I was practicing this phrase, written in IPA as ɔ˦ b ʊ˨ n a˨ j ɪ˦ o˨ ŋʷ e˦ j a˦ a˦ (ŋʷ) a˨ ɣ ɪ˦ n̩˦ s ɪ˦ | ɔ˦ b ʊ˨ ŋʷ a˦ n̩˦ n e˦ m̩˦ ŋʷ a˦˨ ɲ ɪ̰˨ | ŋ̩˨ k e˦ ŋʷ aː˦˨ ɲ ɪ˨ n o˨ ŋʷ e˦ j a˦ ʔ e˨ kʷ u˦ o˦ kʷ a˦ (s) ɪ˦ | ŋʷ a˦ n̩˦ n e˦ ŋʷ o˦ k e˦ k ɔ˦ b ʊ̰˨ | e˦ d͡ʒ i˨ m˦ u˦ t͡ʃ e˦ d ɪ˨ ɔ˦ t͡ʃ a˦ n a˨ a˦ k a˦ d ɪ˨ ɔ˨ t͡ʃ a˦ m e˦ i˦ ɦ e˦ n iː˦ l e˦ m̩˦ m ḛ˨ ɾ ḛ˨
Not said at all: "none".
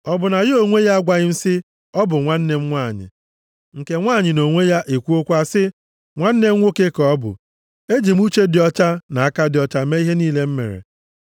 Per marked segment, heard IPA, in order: ɡʷ, s

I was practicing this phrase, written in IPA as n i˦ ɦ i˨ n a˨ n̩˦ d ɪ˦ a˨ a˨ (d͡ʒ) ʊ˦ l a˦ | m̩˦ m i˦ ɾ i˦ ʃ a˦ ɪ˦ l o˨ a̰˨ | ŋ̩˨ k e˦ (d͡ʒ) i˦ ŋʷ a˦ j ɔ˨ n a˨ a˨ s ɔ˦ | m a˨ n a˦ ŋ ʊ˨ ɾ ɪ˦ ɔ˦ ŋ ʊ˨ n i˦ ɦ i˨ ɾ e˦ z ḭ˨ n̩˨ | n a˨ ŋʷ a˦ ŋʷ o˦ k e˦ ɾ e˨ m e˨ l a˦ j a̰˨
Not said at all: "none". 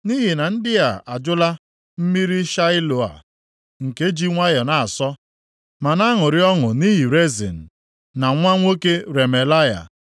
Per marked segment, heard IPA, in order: d͡ʒ, d͡ʒ

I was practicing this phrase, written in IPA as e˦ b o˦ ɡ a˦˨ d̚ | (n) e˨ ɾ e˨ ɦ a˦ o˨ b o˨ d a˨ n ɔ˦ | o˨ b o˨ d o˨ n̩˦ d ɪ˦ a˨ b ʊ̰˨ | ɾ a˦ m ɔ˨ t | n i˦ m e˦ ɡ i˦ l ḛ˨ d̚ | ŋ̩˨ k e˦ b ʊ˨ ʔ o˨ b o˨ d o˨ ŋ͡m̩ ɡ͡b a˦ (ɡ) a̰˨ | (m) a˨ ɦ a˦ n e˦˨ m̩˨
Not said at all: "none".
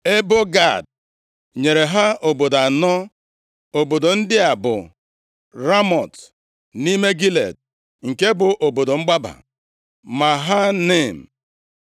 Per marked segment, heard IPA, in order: ɲ, b, m

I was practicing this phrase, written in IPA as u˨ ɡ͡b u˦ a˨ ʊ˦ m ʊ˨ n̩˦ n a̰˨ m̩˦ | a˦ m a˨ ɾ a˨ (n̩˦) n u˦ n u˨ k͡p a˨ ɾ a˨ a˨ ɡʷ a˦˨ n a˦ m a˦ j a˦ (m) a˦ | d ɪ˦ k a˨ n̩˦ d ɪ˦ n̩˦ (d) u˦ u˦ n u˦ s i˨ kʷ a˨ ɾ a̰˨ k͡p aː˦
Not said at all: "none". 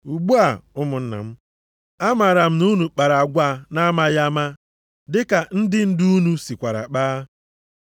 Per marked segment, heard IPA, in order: m̩˦, m, d

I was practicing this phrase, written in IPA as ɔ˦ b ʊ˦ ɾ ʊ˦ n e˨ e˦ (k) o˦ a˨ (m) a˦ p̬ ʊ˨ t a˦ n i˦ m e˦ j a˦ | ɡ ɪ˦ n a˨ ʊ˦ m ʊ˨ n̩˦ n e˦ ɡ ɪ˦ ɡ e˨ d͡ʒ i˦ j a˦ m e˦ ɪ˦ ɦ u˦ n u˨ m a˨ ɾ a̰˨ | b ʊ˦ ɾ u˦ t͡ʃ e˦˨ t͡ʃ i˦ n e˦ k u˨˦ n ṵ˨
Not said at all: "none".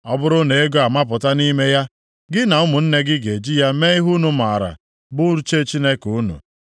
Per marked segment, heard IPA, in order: ɡ, m

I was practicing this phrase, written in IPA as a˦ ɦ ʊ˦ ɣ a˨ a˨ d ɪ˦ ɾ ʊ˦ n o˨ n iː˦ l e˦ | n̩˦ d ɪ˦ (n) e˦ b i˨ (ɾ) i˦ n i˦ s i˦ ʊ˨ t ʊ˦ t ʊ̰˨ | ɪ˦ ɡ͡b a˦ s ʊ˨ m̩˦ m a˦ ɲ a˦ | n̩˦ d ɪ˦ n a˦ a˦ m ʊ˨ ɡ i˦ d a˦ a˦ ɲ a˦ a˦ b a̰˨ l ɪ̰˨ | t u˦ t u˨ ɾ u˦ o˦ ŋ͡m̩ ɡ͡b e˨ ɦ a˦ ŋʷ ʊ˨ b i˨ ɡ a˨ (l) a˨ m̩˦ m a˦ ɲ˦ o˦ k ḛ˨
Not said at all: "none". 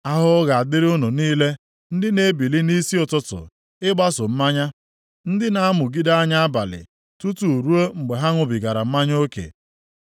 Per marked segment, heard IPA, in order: n, l, ɾ

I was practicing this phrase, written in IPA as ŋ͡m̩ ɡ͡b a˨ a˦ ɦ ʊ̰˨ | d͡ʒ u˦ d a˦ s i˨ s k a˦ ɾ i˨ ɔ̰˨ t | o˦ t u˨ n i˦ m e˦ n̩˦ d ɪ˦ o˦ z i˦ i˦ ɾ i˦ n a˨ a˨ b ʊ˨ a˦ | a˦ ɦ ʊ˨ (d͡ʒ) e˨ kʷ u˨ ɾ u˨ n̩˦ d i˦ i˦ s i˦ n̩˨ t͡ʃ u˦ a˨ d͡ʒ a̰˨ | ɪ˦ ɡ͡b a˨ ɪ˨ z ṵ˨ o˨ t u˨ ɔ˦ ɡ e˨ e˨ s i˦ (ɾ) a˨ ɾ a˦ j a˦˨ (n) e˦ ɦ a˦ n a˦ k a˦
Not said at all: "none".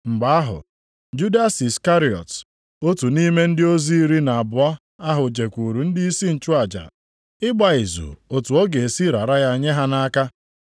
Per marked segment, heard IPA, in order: d͡ʒ, ɾ, ɲ

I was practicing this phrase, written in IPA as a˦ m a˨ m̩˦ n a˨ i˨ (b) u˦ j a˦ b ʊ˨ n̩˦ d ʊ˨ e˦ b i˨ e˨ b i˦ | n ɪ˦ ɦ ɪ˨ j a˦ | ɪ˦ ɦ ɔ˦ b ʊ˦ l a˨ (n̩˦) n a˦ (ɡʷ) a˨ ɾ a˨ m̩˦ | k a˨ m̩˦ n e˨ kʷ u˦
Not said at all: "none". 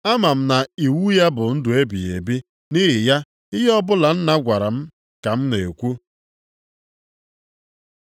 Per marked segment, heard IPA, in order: w, n̩˦, ɡʷ

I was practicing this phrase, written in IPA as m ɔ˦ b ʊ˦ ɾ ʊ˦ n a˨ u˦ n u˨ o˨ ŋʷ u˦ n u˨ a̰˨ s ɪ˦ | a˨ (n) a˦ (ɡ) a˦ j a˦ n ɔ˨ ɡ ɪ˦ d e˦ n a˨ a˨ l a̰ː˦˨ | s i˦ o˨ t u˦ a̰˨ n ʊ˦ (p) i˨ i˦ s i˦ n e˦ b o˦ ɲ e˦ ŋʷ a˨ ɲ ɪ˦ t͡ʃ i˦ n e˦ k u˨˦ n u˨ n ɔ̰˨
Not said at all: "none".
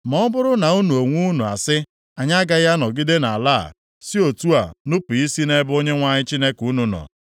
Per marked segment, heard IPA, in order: ɲ, ɡ, p

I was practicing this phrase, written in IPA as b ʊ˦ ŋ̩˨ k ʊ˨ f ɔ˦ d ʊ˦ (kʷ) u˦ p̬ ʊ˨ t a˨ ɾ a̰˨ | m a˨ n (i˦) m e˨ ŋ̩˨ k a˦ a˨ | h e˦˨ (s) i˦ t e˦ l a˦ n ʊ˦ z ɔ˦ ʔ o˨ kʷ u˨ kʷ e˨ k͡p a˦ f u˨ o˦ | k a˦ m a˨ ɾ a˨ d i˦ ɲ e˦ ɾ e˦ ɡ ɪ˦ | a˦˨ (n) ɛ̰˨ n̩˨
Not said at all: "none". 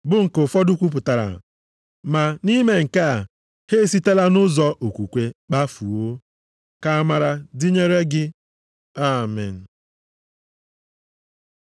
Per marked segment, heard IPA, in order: kʷ, i˦, s, m

